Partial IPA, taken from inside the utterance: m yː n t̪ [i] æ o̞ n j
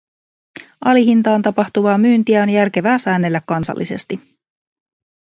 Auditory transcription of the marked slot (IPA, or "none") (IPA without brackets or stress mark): i